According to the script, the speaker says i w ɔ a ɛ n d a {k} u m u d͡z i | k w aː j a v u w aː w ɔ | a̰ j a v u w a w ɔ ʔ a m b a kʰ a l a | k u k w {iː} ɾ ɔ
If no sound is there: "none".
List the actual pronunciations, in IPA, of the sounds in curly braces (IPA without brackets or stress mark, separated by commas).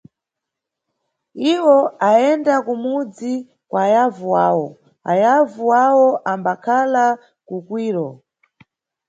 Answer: k, iː